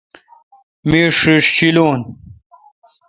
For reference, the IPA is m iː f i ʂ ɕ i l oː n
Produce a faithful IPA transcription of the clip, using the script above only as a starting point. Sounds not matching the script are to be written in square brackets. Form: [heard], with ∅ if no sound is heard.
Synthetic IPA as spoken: m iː [ʂ] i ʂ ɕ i l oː n